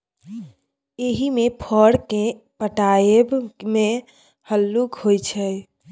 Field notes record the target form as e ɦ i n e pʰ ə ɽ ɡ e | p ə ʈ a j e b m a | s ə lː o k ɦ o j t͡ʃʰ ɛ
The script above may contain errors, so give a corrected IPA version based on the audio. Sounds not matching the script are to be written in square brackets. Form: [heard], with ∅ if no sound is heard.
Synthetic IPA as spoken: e ɦ i [m] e pʰ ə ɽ [k] e | p ə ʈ a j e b m [e] | [h] ə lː [u] k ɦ o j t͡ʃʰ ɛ